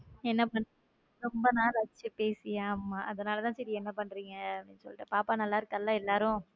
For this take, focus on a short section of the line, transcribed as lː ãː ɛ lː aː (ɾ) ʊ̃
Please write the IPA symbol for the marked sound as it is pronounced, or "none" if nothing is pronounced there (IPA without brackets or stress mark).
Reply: ɾ